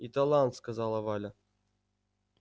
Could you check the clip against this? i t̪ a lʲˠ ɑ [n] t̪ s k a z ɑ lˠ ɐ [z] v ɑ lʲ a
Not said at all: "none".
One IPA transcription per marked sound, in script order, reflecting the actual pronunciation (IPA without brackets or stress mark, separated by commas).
n, none